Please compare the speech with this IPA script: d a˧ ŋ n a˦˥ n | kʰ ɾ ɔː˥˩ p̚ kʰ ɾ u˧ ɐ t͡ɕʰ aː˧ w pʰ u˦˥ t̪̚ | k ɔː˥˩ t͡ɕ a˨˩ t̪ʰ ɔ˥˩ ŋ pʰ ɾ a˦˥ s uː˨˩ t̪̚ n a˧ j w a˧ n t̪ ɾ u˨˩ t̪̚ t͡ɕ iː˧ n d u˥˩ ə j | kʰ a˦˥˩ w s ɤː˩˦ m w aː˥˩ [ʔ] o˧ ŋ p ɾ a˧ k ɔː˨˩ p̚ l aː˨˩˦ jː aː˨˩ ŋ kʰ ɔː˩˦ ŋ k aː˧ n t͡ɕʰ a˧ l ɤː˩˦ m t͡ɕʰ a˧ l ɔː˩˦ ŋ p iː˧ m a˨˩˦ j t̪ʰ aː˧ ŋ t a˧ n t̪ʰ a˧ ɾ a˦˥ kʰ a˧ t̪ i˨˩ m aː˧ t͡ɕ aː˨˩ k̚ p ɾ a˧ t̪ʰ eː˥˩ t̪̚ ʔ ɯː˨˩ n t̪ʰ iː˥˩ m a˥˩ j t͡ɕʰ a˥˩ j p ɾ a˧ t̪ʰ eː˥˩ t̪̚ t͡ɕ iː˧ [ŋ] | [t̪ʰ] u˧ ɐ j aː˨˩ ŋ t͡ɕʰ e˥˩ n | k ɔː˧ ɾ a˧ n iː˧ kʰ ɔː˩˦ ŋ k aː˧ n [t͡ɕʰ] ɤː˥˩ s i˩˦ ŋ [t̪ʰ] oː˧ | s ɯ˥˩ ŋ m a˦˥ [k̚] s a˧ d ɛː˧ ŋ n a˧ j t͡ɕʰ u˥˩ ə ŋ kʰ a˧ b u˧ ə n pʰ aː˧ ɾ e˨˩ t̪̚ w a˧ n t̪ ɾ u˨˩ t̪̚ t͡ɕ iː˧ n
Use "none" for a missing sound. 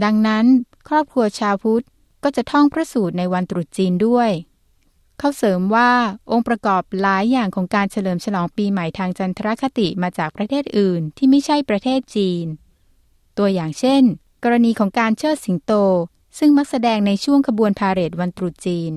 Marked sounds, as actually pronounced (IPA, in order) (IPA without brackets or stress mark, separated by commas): ʔ, n, t̪, t͡ɕʰ, t̪, k̚